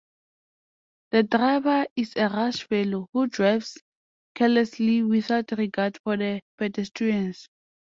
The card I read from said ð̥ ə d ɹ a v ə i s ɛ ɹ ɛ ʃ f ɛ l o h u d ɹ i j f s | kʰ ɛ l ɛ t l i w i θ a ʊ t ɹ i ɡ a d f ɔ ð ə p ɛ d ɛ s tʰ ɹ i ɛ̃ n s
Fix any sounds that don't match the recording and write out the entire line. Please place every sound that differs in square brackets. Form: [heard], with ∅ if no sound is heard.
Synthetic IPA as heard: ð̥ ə d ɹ a v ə i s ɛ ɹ [a] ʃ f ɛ l o h u d ɹ [a] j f s | kʰ ɛ l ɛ [s] l i w i θ a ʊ t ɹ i ɡ a d f ɔ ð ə p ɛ d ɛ s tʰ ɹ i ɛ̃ n s